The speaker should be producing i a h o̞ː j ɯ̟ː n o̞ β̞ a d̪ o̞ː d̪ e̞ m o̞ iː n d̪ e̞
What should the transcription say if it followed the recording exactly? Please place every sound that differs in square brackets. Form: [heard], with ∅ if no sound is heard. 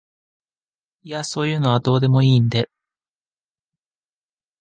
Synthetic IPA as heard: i a [s] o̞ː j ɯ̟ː n o̞ β̞ a d̪ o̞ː d̪ e̞ m o̞ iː n d̪ e̞

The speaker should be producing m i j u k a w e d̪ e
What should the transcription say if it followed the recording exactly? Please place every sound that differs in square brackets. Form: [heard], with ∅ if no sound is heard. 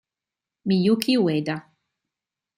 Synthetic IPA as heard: m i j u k [i] w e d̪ [a]

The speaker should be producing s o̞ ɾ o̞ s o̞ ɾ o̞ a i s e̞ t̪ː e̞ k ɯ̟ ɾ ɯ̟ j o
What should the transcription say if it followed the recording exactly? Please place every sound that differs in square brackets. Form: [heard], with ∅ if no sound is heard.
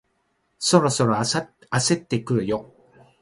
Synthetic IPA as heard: s o̞ ɾ o̞ s o̞ ɾ o̞ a [a] s e̞ t̪ː e̞ k ɯ̟ ɾ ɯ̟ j o

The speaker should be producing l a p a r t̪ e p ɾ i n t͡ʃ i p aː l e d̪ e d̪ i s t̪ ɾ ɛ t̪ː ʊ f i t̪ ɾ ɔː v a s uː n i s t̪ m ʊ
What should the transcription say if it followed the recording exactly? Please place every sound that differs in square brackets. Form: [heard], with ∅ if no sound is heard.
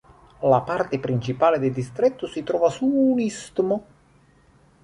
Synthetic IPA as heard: l a p a r t̪ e p ɾ i n t͡ʃ i p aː l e d̪ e d̪ i s t̪ ɾ ɛ t̪ː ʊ [s] i t̪ ɾ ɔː v a s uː n i s t̪ m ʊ

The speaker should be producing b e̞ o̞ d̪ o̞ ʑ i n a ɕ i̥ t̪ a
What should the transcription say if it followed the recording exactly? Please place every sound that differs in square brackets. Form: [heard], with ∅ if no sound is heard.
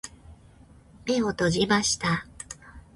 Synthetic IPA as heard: [m] e̞ o̞ [t̪] o̞ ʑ i [m] a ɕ i̥ t̪ a

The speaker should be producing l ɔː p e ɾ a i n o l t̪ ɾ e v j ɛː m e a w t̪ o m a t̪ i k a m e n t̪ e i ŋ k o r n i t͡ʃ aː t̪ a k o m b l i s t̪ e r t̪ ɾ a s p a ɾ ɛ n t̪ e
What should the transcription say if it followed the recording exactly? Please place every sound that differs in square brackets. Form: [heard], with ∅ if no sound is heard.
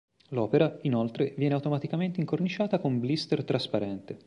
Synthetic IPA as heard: l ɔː p e ɾ a i n o l t̪ ɾ e v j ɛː [n] e a w t̪ o m a t̪ i k a m e n t̪ e i ŋ k o r n i t͡ʃ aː t̪ a k o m b l i s t̪ e r t̪ ɾ a s p a ɾ ɛ n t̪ e

